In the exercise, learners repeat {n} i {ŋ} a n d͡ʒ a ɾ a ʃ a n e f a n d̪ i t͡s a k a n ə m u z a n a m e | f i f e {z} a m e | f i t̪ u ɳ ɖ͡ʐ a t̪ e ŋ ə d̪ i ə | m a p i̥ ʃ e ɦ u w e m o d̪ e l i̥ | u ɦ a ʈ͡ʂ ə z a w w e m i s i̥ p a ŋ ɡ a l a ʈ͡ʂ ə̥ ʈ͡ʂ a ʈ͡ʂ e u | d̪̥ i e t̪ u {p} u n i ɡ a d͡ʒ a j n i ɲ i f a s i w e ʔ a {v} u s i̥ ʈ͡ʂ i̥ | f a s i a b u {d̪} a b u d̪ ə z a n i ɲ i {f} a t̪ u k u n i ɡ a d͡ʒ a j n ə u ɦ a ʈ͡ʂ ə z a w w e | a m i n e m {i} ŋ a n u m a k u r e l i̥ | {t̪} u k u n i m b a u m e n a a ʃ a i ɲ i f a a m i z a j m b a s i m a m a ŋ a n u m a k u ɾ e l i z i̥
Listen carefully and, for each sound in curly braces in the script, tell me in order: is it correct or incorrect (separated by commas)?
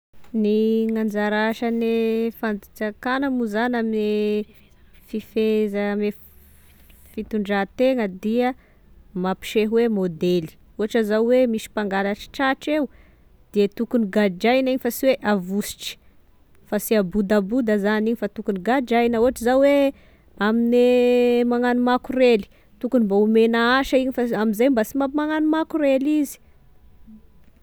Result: correct, correct, correct, incorrect, correct, correct, correct, incorrect, correct